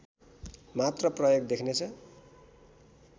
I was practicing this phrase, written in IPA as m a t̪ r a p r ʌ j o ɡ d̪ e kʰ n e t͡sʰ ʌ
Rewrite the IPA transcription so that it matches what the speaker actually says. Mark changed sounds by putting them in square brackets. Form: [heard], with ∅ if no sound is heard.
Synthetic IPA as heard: m a t̪ r [ʌ] p r ʌ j o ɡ d̪ e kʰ n e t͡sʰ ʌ